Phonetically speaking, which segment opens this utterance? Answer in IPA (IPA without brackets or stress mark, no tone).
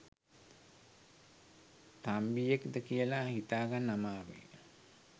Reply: t̪